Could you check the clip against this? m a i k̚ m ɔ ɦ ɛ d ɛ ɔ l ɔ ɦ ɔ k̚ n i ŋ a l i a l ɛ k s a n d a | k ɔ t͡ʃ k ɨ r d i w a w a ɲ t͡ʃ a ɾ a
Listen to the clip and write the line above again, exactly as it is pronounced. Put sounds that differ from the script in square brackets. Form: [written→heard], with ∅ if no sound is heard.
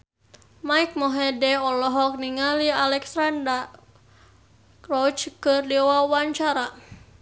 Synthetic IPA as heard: m a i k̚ m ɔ ɦ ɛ d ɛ ɔ l ɔ ɦ ɔ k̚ n i ŋ a l i a l ɛ k s a n d a | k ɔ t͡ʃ k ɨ r d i w a w a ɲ t͡ʃ a ɾ a